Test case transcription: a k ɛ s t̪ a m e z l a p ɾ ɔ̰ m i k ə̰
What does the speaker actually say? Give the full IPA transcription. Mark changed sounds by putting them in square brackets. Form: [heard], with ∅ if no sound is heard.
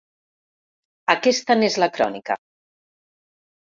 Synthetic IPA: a k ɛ s t̪ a [n] e z l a [k] ɾ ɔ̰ [n] i k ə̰

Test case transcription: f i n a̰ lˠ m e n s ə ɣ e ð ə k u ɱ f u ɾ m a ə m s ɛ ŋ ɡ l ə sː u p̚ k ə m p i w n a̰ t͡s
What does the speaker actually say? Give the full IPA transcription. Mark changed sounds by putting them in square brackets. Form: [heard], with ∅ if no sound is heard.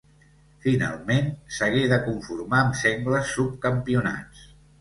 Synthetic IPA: f i n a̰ lˠ m e n s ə ɣ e ð ə k u ɱ f u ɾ m a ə m s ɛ ŋ ɡ l ə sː u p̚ k ə m p i [u] n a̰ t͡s

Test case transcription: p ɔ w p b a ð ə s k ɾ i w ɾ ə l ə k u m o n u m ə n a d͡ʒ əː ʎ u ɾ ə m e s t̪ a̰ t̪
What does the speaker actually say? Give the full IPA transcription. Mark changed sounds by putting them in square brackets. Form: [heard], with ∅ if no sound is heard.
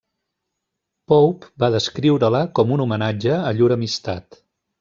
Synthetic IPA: p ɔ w p b a ð ə s k ɾ i w ɾ ə l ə k [ɔ] m [u] n u m ə n a d͡ʒ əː ʎ u ɾ ə m [i] s t̪ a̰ t̪

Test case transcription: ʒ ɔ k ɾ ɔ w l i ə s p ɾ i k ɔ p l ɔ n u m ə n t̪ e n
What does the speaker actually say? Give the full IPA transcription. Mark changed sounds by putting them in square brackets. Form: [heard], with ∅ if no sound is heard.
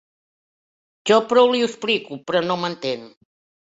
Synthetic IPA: ʒ ɔ [p] ɾ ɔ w l i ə s p [l] i k [u] p [ɾ] ɔ n [o] m ə n t̪ e n

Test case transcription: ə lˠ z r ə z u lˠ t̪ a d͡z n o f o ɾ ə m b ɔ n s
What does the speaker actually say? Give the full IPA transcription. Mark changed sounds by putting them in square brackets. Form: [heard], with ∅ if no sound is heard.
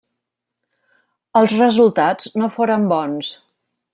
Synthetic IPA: ə lˠ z r ə z u lˠ t̪ a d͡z n o f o ɾ ə m b ɔ n s

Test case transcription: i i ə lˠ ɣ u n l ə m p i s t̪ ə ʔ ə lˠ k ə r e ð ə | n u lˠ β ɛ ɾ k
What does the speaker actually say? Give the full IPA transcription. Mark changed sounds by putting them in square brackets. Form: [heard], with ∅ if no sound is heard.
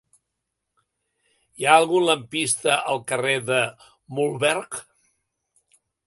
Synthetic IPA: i [a] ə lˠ ɣ u n l ə m p i s t̪ ə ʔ ə lˠ k ə r e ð ə | [m] u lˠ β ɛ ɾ k

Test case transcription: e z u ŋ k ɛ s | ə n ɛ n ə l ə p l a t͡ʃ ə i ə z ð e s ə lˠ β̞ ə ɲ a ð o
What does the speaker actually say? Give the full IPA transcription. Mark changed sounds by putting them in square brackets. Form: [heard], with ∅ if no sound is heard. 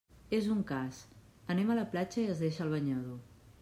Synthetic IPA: e z u ŋ k [a] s | ə n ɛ [m] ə l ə p l a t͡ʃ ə i ə z ð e [ʃ] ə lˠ β̞ ə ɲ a ð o

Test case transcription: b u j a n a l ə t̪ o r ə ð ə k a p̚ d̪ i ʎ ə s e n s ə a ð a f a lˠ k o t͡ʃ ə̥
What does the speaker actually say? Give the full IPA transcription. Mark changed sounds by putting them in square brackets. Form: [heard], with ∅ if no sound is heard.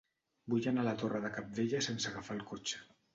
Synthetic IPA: b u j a n a l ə t̪ o r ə ð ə k a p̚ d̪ [e] ʎ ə s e n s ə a [ɣ] a f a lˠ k o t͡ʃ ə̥

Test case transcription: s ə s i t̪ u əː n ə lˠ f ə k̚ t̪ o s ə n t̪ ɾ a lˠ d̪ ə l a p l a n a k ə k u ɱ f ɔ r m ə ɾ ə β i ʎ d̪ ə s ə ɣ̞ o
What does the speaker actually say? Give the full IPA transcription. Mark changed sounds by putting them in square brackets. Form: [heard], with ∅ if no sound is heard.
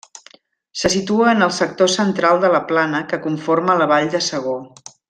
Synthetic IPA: s ə s i t̪ u əː n ə lˠ [s] ə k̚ t̪ o s ə n t̪ ɾ a lˠ d̪ ə l [ə] p l a n [ə] k ə k u ɱ f [o] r m ə [l] ə β [a] ʎ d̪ ə s ə ɣ̞ o

